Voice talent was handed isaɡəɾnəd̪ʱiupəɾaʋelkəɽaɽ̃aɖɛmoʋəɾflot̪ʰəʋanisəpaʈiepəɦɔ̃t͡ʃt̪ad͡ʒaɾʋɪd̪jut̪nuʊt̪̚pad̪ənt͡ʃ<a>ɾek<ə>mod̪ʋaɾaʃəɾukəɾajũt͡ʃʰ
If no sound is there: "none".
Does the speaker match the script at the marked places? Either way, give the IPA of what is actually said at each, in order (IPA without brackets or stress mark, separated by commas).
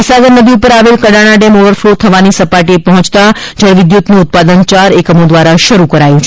a, ə